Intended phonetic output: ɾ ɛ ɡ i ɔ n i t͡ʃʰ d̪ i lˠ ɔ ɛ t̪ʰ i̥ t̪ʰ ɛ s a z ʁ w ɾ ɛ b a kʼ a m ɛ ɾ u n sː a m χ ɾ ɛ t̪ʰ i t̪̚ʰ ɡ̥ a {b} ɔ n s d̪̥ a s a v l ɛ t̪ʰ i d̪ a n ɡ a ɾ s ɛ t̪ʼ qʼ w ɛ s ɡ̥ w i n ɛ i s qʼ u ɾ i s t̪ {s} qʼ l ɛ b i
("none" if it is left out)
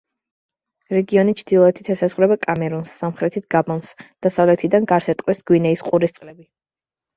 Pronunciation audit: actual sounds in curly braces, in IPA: b, s

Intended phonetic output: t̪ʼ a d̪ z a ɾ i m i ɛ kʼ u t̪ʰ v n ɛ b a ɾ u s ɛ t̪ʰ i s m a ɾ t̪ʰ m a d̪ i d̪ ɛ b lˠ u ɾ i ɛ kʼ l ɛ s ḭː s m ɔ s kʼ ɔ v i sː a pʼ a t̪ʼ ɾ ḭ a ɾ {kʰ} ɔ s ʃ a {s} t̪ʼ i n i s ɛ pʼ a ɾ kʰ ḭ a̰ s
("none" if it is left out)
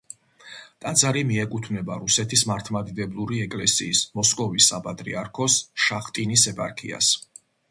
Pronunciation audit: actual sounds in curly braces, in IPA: kʰ, χ

